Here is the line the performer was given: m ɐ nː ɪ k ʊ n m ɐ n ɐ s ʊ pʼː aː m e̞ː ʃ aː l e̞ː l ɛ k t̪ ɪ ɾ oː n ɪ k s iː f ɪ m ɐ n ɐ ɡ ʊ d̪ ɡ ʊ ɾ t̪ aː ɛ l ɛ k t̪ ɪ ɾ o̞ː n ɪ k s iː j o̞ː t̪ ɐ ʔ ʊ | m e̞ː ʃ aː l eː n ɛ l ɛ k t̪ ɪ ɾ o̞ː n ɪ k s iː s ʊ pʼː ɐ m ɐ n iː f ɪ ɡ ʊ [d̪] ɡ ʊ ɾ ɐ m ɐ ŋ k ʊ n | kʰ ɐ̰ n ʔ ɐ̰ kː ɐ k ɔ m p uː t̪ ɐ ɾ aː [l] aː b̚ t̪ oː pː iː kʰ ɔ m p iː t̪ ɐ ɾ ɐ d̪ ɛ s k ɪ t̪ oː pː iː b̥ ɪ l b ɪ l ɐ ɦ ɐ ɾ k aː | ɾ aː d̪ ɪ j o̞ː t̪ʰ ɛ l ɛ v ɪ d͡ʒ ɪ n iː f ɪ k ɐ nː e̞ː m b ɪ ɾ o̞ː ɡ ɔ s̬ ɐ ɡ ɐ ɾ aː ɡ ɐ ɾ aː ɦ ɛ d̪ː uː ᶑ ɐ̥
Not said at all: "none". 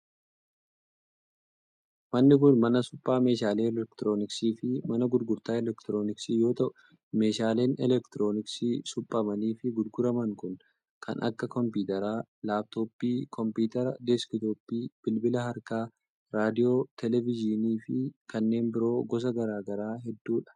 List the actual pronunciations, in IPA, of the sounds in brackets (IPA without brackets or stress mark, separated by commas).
d̪, l